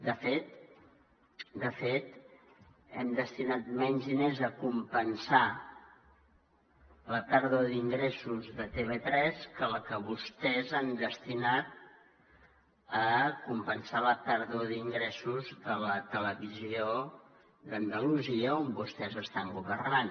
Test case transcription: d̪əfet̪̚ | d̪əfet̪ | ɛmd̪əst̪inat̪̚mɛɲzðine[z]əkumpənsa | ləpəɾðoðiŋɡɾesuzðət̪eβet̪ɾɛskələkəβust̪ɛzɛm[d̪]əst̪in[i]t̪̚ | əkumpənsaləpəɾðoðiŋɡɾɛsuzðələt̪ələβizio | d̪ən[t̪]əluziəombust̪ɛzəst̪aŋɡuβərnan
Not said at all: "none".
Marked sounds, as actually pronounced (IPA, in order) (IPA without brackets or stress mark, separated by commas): z, d̪, a, d̪